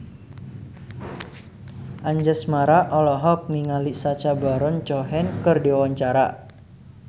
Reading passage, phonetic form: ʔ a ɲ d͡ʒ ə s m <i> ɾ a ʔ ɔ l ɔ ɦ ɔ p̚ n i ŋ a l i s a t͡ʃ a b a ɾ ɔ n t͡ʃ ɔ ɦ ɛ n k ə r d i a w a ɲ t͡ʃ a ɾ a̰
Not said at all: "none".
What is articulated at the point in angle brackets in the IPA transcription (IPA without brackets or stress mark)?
a